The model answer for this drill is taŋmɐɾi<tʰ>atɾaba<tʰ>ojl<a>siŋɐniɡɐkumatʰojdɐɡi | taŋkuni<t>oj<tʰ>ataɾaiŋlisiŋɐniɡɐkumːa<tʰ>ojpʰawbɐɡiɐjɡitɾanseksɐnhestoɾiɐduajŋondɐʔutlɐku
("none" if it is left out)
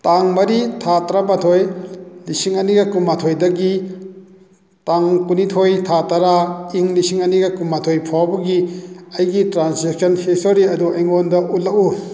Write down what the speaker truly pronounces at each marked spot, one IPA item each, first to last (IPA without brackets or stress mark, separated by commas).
tʰ, tʰ, i, tʰ, tʰ, tʰ